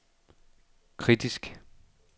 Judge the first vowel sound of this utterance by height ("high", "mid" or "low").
high